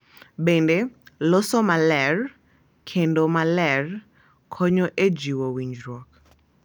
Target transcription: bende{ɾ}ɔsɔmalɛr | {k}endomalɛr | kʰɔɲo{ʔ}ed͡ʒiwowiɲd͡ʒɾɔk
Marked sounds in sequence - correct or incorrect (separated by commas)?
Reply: incorrect, incorrect, correct